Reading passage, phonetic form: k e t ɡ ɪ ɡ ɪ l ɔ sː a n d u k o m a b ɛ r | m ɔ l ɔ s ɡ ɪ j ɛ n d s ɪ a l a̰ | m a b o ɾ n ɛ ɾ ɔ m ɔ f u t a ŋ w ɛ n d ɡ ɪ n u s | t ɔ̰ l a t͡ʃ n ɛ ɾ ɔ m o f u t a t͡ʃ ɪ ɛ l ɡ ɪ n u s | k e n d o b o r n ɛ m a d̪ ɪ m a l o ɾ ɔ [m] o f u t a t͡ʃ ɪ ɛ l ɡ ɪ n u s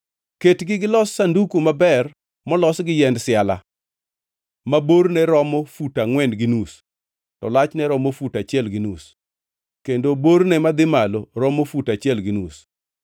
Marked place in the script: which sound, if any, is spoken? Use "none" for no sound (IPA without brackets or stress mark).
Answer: m